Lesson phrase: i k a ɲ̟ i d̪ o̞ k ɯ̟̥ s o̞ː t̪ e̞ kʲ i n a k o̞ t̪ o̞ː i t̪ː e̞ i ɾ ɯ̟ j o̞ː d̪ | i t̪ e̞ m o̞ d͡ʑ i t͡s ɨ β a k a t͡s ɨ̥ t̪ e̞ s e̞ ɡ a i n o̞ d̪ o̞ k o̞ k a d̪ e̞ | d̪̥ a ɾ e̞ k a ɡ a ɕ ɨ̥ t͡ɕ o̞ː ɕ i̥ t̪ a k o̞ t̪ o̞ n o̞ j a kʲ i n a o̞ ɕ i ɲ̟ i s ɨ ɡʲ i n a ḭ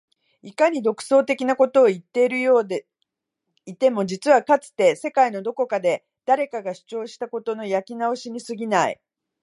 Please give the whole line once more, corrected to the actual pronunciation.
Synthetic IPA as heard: i k a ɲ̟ i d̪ o̞ k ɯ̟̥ s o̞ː t̪ e̞ kʲ i n a k o̞ t̪ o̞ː i t̪ː e̞ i ɾ ɯ̟ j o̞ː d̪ | i t̪ e̞ m o̞ d͡ʑ i t͡s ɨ β a k a t͡s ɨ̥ t̪ e̞ s e̞ k a i n o̞ d̪ o̞ k o̞ k a d̪ e̞ | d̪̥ a ɾ e̞ k a ɡ a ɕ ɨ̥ t͡ɕ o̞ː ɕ i̥ t̪ a k o̞ t̪ o̞ n o̞ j a kʲ i n a o̞ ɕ i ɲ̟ i s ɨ ɡʲ i n a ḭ

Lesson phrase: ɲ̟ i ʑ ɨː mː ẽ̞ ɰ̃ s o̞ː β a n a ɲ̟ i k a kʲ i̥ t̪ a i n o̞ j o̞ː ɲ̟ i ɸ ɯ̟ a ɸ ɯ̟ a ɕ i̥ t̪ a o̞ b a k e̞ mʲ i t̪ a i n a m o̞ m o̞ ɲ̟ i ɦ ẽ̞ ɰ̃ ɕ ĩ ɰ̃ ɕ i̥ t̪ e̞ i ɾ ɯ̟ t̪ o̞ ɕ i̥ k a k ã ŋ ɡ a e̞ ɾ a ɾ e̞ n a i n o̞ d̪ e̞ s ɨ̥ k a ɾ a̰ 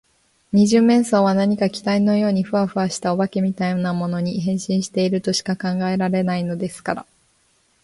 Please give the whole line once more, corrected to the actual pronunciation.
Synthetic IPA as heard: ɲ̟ i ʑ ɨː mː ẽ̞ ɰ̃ s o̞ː β a n a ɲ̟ i k a kʲ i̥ t̪ a i n o̞ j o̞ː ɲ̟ i ɸ ɯ̟ a ɸ ɯ̟ a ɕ i̥ t̪ a o̞ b a k e̞ mʲ i t̪ a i n a m o̞ n o̞ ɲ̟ i ɦ ẽ̞ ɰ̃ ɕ ĩ ɰ̃ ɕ i̥ t̪ e̞ i ɾ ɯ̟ t̪ o̞ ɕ i̥ k a k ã ŋ ɡ a e̞ ɾ a ɾ e̞ n a i n o̞ d̪ e̞ s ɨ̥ k a ɾ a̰

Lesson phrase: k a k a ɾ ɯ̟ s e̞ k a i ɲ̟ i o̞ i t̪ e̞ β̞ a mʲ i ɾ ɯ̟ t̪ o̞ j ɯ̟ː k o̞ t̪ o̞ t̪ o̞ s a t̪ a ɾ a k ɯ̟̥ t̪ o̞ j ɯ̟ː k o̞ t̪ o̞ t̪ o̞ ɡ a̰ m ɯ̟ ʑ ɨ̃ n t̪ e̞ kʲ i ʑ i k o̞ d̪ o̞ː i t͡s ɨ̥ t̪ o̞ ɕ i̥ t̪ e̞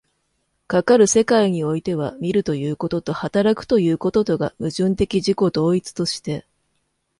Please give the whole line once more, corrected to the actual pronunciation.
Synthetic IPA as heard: k a k a ɾ ɯ̟ s e̞ k a i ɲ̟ i o̞ i t̪ e̞ β̞ a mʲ i ɾ ɯ̟ t̪ o̞ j ɯ̟ː k o̞ t̪ o̞ t̪ o̞ h a t̪ a ɾ a k ɯ̟̥ t̪ o̞ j ɯ̟ː k o̞ t̪ o̞ t̪ o̞ ɡ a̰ m ɯ̟ ʑ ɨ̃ n t̪ e̞ kʲ i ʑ i k o̞ d̪ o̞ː i t͡s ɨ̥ t̪ o̞ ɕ i̥ t̪ e̞

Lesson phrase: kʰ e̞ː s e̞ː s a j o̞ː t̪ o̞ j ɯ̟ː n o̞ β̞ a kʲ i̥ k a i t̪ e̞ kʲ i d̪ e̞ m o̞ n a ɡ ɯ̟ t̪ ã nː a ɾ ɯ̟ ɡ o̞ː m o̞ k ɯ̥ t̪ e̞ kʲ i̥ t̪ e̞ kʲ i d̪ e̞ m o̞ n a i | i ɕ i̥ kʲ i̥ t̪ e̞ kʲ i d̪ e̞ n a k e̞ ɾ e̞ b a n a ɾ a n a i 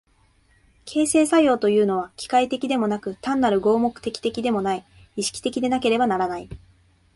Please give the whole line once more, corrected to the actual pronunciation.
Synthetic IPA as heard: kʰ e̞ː s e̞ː s a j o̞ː t̪ o̞ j ɯ̟ː n o̞ β̞ a kʲ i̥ k a i t̪ e̞ kʲ i d̪ e̞ m o̞ n a k ɯ̟ t̪ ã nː a ɾ ɯ̟ ɡ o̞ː m o̞ k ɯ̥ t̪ e̞ kʲ i̥ t̪ e̞ kʲ i d̪ e̞ m o̞ n a i | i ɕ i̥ kʲ i̥ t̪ e̞ kʲ i d̪ e̞ n a k e̞ ɾ e̞ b a n a ɾ a n a i

